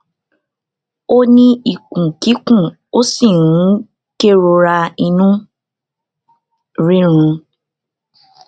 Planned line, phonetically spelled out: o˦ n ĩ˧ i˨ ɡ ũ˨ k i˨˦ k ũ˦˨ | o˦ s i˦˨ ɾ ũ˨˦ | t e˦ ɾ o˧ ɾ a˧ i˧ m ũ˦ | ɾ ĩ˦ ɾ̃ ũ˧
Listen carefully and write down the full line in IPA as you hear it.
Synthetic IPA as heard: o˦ n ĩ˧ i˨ k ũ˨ k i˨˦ k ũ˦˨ | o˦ s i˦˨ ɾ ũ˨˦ | k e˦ ɾ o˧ ɾ a˧ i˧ n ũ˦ | ɾ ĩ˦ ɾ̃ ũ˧